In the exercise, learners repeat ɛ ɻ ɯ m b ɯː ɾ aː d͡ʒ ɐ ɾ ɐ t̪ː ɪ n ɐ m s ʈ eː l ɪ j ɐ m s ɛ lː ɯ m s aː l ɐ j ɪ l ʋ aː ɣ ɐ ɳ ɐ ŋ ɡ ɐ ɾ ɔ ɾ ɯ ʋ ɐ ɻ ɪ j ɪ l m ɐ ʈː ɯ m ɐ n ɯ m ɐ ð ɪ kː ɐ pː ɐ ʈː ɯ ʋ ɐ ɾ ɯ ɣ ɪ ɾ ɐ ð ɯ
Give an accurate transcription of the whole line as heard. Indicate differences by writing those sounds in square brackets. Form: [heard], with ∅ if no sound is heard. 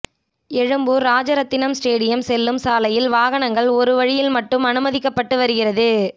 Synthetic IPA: ɛ ɻ ɯ m b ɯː ɾ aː d͡ʒ ɐ ɾ ɐ t̪ː ɪ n ɐ m s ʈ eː [ɽ] ɪ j ɐ m s ɛ lː ɯ m s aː l ɐ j ɪ l ʋ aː ɣ ɐ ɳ ɐ ŋ ɡ ɐ [ɭ] ɔ ɾ ɯ ʋ ɐ ɻ ɪ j ɪ l m ɐ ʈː ɯ m ɐ n ɯ m ɐ ð ɪ kː ɐ pː ɐ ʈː ɯ ʋ ɐ ɾ ɯ ɣ ɪ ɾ ɐ ð ɯ